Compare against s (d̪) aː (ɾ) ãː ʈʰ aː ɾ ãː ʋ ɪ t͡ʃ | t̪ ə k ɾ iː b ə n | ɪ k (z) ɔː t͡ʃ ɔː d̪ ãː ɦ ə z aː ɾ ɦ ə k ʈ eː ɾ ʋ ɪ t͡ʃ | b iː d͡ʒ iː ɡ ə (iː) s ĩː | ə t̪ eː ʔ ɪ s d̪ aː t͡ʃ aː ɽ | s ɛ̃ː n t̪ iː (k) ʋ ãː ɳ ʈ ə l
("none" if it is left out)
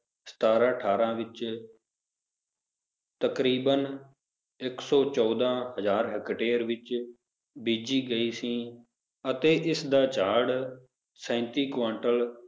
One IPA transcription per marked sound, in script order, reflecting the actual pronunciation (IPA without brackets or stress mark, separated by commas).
t̪, ɾ, s, iː, k